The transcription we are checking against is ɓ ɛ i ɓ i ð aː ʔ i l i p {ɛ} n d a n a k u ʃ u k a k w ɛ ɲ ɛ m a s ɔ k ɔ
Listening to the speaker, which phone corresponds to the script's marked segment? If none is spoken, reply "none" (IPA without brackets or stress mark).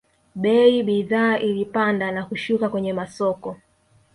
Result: a